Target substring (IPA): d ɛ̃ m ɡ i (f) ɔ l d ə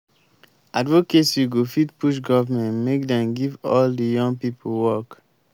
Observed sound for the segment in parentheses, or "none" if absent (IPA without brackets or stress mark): v